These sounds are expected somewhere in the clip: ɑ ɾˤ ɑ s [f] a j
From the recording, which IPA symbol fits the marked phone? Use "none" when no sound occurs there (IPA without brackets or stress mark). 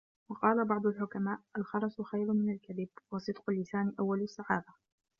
x